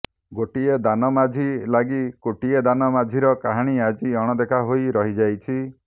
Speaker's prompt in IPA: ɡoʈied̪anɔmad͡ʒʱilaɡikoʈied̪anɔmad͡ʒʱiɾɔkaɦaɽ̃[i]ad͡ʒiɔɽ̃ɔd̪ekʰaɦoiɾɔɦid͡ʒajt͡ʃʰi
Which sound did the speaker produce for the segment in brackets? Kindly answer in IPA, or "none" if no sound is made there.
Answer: i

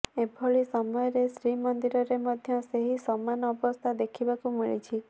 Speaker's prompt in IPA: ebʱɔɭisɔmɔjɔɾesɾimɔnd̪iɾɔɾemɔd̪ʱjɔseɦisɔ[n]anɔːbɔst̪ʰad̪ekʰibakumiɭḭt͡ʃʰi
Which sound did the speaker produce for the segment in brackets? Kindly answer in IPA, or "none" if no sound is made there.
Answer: m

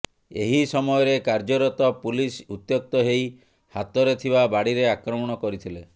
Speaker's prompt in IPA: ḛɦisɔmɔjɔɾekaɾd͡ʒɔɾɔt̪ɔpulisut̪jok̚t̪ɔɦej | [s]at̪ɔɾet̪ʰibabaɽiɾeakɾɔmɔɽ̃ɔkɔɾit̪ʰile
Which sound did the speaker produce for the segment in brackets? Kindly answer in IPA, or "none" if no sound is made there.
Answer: h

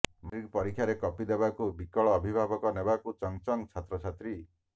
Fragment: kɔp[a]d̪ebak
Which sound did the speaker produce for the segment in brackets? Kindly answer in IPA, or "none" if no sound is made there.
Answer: i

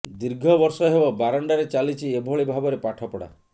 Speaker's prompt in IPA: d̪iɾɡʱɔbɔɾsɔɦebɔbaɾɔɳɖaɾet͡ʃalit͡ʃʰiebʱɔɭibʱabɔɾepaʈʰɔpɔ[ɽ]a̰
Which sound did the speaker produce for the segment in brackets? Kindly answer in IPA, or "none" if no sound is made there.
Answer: ɽ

